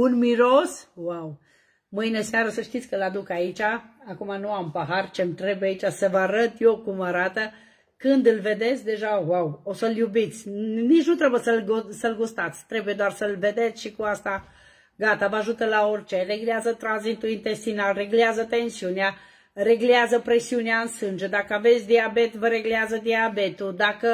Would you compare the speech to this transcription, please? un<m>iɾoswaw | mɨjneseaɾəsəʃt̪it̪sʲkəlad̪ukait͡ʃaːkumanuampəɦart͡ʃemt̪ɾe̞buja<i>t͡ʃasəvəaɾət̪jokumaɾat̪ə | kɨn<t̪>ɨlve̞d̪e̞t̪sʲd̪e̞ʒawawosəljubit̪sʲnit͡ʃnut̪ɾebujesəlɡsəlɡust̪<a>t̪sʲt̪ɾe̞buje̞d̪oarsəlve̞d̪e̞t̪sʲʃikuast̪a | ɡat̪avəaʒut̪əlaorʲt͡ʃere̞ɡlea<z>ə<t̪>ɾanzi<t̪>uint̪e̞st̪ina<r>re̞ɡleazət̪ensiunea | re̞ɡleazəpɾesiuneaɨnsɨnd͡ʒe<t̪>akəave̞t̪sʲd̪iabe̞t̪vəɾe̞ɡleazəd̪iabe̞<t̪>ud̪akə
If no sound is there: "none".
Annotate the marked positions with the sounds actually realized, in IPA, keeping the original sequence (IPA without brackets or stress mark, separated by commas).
m, i, d̪, a, z, t̪, t̪, l, d̪, t̪